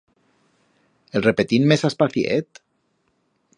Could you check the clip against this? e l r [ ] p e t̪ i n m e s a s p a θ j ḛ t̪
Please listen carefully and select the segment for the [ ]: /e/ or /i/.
e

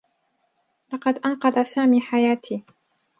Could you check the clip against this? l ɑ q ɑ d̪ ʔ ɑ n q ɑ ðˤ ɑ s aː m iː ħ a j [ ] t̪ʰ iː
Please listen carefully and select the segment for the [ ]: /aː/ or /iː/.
aː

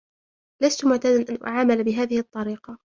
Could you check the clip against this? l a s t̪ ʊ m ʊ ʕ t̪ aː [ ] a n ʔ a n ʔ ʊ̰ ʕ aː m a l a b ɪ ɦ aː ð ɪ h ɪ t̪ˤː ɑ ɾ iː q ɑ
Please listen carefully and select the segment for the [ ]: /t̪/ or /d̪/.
d̪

